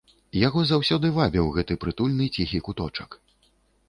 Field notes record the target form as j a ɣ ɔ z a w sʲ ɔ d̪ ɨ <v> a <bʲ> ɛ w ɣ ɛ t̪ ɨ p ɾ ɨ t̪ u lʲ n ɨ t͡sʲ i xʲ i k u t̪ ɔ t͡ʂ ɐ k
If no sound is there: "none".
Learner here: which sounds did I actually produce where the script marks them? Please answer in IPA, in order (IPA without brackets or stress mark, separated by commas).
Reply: v, bʲ